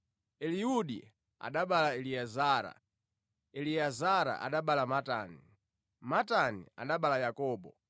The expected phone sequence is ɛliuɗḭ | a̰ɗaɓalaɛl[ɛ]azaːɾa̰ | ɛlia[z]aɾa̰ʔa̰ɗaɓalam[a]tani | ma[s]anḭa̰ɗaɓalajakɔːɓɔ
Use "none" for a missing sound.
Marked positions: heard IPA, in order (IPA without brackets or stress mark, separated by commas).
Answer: i, z, a, t